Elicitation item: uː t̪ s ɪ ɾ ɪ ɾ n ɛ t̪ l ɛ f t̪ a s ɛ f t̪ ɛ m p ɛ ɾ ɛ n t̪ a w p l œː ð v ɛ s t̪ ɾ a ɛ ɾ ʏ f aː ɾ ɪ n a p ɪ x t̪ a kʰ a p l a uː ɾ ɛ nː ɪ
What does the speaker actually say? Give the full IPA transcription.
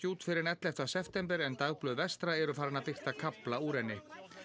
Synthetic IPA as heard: uː t̪ f ɪ ɾ ɪ ɾ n ɛ t̪ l ɛ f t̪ a s ɛ f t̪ ɛ m p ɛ ɾ ɛ n t̪ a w p l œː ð v ɛ s t̪ ɾ a ɛ ɾ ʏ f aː ɾ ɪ n a p ɪ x t̪ a kʰ a p l a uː ɾ ɛ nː ɪ

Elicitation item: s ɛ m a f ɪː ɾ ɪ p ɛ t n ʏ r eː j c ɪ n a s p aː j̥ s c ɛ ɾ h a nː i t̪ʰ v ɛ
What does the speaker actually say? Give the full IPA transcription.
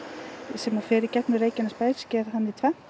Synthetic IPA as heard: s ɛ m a f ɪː ɾ ɪ c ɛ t n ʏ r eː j c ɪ n a s p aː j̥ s c ɛ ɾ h a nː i t̪ʰ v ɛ

